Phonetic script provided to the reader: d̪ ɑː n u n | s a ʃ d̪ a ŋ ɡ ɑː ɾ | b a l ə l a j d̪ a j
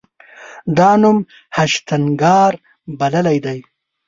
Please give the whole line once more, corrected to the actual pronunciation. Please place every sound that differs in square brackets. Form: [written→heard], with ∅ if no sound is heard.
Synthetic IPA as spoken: d̪ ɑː n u [n→m] | [s→h] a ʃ [d̪→t̪] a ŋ ɡ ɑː ɾ | b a l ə l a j d̪ a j